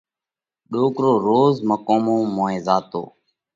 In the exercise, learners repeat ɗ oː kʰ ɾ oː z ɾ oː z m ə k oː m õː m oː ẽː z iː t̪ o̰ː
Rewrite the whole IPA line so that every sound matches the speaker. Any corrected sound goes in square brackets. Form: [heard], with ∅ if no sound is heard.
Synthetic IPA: ɗ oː [k] ɾ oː [∅] ɾ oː z m ə k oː m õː m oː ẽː z [aː] t̪ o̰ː